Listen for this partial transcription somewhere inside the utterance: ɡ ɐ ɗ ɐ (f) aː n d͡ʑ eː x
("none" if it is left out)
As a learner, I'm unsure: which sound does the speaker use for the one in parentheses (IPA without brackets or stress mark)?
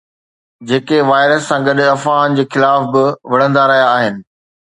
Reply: f